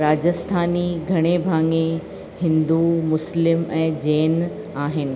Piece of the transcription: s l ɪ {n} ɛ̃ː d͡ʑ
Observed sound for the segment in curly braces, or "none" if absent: m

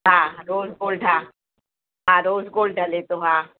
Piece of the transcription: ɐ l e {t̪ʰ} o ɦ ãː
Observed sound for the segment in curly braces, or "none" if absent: t̪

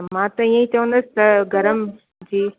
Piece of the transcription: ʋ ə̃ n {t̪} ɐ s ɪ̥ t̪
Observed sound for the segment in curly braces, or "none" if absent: d̪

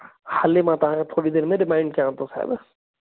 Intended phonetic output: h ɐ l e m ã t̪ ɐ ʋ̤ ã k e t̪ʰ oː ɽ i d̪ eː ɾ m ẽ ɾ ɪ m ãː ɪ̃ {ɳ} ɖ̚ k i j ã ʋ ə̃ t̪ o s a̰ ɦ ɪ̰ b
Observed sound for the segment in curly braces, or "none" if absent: ɳ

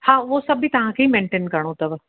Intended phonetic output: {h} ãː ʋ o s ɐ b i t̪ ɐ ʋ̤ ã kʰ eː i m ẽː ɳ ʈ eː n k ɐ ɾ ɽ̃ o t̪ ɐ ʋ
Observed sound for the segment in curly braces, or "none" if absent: h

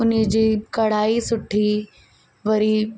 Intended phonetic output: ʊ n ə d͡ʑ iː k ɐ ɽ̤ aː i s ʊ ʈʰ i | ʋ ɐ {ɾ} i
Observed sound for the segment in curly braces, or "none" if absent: ɾ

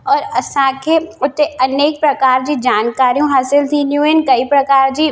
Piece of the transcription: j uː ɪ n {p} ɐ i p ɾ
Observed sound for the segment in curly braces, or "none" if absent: k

